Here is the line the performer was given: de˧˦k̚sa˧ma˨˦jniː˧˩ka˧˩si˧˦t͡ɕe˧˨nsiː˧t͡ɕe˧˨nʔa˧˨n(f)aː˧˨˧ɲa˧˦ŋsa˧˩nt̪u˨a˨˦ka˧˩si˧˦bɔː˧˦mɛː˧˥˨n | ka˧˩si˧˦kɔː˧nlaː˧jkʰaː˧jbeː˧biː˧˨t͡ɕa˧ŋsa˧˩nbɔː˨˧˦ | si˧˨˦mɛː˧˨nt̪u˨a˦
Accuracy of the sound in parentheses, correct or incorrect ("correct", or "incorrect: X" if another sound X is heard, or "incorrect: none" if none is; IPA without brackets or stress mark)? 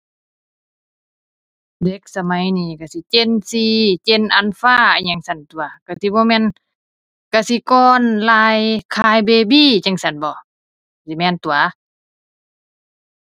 correct